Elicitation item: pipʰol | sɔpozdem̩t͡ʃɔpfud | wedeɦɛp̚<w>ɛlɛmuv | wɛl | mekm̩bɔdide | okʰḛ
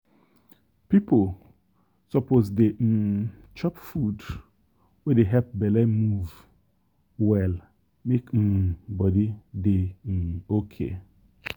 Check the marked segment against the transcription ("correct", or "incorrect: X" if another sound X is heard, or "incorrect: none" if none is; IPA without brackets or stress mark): incorrect: b